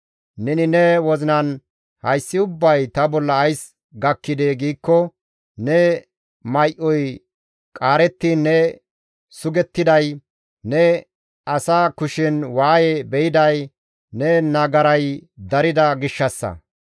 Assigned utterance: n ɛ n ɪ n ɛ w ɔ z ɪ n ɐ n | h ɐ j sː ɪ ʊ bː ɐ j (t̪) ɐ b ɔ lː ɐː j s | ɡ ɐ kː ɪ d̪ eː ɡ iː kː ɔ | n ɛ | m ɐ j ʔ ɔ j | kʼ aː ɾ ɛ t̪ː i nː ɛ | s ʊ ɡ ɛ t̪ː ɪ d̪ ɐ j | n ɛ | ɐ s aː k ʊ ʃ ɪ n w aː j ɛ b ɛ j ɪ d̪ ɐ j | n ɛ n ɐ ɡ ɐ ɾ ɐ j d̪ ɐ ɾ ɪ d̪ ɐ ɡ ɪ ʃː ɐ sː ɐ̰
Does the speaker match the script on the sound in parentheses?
yes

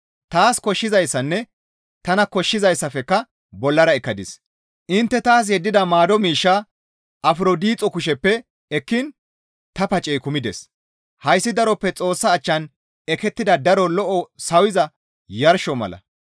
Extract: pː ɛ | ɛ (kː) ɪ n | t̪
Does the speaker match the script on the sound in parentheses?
yes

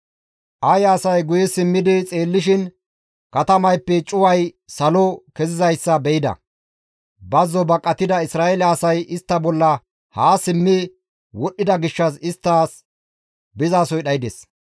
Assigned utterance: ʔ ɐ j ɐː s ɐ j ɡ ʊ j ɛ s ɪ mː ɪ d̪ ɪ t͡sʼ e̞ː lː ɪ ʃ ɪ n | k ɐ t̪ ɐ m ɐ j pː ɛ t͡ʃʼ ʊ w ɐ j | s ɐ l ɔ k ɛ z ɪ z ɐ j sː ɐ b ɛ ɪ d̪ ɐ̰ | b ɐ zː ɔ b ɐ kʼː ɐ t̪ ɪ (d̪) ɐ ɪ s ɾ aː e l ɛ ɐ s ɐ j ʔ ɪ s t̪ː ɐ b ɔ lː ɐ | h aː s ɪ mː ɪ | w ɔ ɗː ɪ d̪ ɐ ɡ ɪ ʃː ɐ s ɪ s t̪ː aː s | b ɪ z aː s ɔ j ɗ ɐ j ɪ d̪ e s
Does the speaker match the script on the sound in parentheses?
yes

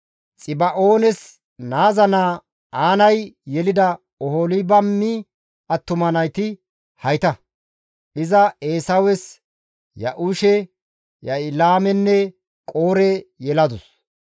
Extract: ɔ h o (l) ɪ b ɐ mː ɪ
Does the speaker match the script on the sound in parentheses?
yes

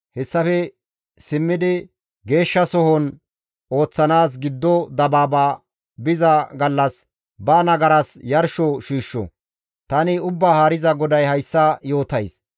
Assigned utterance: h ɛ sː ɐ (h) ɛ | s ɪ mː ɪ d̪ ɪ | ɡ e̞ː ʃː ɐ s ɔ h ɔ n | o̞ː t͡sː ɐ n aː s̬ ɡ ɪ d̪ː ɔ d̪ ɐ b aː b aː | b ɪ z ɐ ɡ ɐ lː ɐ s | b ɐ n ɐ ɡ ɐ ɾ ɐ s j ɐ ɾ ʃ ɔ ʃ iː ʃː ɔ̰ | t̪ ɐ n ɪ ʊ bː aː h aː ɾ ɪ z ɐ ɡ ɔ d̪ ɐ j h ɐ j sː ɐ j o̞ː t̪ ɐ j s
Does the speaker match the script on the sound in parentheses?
no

